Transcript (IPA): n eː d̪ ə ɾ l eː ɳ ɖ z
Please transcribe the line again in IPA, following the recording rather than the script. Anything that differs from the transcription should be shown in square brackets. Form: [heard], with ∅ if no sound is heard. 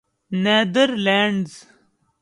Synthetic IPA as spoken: n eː d̪ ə ɾ l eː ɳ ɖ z